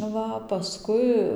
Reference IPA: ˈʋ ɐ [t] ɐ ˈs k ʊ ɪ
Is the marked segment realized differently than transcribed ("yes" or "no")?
yes